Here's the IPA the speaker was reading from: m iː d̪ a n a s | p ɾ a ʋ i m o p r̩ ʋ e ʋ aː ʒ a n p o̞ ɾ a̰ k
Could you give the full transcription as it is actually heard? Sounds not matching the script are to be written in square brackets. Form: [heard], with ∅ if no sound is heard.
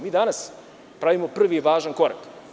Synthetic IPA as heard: m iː d̪ a n a s | p ɾ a ʋ i m o p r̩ ʋ [i] ʋ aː ʒ a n [k] o̞ ɾ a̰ k